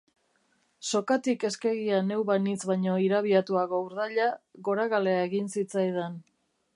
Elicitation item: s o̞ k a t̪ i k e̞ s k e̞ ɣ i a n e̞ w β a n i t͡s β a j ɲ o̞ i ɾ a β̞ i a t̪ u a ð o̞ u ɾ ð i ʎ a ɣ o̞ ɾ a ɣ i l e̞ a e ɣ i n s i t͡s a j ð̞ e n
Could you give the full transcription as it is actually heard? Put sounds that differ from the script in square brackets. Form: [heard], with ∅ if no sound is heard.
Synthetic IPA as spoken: s o̞ k a t̪ i k e̞ s k e̞ ɣ i a n e̞ w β a n i t͡s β a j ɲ o̞ i ɾ a β̞ i a t̪ u a [ɣ] o̞ u ɾ ð [a] ʎ a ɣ o̞ ɾ a ɣ [a] l e̞ a e ɣ i n s i t͡s a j ð̞ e n